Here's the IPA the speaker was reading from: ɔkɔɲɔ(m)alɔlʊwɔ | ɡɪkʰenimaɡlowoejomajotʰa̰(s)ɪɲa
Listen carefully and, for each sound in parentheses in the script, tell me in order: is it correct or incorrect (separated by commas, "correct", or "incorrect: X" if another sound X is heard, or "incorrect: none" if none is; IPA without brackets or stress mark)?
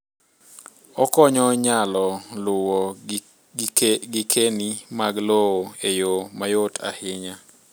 incorrect: ɲ, incorrect: h